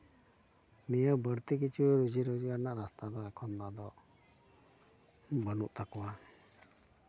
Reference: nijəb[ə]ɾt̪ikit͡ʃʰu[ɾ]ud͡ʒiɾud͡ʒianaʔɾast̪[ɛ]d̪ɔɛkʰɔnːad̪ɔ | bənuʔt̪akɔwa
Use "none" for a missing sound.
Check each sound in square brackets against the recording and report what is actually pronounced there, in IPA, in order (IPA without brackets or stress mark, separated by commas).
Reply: ə, ɾ, a